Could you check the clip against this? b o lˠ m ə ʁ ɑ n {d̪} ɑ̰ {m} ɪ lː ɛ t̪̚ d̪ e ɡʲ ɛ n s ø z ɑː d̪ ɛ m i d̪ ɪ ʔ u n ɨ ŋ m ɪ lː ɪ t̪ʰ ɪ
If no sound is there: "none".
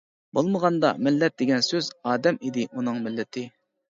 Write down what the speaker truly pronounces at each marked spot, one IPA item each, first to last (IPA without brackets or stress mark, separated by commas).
d̪, m